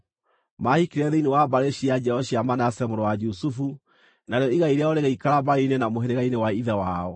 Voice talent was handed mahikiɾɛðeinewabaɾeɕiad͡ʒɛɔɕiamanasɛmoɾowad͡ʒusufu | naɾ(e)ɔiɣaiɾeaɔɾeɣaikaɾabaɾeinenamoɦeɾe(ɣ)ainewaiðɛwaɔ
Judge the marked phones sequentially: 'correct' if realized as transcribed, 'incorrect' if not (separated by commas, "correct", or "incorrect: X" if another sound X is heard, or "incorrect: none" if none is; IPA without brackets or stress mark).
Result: correct, correct